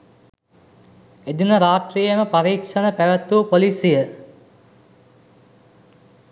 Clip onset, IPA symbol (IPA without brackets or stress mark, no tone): e